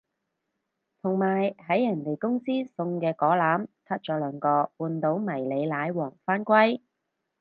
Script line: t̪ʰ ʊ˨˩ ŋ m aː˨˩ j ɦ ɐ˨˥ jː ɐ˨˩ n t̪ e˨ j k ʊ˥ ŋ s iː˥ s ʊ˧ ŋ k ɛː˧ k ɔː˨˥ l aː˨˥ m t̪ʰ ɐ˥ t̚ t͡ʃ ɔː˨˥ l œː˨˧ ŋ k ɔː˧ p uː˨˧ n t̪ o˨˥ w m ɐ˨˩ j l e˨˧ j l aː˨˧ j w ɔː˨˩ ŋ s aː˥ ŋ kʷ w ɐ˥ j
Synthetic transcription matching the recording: t̪ʰ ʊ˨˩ ŋ m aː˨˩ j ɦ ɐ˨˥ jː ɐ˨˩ n t̪ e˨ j k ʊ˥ ŋ s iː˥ s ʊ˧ ŋ k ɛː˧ k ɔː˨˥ l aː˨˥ m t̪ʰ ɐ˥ t̚ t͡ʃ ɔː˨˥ l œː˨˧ ŋ k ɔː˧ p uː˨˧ n t̪ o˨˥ w m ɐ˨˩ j l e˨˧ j l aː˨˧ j w ɔː˨˩ ŋ f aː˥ n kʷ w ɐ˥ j